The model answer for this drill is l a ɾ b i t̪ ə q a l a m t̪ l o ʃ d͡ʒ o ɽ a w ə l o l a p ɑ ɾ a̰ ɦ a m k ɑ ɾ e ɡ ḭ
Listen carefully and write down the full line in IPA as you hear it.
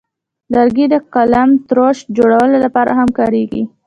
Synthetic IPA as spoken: l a ɾ ɡ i d̪ ə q a l a m t̪ ɾ o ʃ d͡ʒ o ɽ a w ə l o l a p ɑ ɾ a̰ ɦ a m k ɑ ɾ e ɡ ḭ